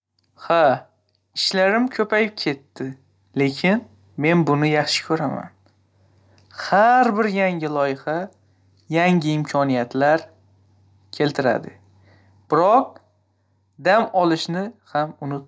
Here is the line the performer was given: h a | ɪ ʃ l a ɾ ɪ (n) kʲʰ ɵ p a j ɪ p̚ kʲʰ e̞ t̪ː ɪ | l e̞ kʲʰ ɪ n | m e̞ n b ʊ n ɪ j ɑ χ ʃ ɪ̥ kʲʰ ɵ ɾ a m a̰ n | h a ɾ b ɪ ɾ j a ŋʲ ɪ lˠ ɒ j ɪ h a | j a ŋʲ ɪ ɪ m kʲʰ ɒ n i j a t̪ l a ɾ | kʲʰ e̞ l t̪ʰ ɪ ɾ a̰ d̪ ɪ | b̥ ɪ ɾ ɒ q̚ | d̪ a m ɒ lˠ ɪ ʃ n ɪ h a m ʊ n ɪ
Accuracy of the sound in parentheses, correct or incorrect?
incorrect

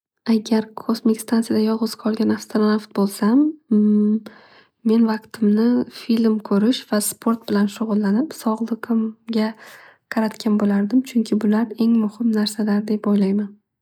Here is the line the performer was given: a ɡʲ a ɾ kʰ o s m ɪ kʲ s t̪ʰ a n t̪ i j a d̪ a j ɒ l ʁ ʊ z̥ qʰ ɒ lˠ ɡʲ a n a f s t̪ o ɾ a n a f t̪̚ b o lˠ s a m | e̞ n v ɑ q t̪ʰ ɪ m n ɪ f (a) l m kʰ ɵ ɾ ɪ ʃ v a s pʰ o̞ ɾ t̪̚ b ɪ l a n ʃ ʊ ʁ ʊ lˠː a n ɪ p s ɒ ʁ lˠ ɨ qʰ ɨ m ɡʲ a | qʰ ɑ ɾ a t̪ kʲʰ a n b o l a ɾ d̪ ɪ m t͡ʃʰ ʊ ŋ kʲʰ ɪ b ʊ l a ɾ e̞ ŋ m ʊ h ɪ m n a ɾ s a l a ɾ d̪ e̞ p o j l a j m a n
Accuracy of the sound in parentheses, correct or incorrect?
incorrect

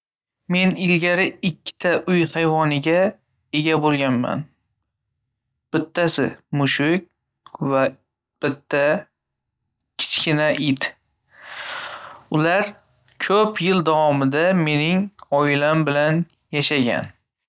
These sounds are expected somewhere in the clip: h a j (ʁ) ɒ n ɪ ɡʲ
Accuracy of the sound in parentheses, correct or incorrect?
incorrect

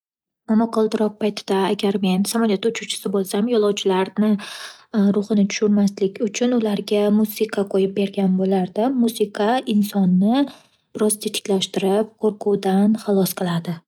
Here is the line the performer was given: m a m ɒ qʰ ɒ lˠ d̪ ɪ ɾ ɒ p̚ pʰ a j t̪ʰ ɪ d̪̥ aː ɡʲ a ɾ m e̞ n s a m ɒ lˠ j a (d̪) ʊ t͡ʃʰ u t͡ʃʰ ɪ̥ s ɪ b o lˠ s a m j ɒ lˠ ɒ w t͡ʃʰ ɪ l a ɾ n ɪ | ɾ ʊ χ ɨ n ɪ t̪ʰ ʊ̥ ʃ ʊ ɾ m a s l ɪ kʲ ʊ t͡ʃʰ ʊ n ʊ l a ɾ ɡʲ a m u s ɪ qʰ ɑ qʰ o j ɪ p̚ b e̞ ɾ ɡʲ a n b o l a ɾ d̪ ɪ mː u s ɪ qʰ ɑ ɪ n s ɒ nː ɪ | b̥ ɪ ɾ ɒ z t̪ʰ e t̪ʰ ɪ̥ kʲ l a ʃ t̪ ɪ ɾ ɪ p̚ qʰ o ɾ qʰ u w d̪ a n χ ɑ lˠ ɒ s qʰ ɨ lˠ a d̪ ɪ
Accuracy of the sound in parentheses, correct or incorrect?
incorrect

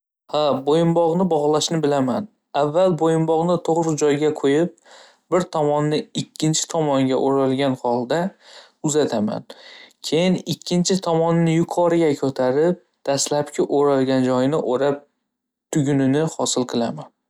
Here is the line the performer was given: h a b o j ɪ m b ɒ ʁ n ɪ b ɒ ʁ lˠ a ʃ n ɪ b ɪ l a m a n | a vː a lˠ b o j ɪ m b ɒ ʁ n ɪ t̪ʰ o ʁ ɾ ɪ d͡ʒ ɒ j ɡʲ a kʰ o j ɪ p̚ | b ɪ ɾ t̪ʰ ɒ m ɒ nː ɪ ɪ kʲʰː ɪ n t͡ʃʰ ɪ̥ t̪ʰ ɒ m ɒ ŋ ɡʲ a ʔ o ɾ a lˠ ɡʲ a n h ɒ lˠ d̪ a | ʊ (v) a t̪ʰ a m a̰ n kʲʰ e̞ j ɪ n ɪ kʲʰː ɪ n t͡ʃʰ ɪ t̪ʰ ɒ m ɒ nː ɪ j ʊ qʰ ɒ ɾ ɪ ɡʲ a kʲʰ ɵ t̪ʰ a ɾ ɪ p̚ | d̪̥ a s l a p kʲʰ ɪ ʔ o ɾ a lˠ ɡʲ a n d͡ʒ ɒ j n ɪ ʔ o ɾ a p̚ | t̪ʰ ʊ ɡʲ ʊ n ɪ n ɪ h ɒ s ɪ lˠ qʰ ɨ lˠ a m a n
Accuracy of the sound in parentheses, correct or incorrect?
incorrect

